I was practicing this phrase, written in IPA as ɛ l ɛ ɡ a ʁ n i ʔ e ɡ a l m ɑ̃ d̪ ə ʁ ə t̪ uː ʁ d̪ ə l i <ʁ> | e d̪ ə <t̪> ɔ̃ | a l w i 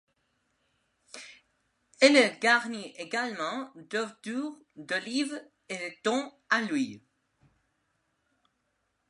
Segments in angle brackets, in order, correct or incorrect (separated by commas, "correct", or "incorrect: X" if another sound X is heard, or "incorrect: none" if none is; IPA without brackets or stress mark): incorrect: v, correct